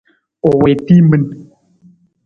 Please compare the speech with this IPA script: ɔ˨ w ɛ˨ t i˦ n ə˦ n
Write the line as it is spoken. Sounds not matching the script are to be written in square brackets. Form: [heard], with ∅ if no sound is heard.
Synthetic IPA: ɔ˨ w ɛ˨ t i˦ [m] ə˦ n